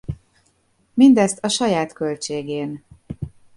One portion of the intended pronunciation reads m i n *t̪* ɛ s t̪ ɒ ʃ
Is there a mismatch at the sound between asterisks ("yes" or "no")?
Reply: yes